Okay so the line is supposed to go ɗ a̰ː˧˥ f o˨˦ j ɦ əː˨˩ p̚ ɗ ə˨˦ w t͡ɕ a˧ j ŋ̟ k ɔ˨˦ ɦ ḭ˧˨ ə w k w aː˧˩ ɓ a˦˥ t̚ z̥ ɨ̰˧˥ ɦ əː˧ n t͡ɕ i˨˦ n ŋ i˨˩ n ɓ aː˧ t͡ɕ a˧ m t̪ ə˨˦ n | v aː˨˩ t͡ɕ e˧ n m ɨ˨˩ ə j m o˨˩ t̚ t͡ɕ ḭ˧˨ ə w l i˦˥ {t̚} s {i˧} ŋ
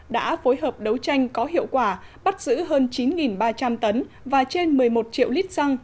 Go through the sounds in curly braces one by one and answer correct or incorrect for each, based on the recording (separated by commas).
correct, incorrect